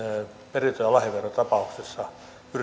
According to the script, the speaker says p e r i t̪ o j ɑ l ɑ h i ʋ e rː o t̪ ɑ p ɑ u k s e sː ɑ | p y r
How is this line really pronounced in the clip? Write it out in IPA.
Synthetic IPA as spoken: p e r i t̪ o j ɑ l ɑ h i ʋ e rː o t̪ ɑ p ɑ u k s e sː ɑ | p y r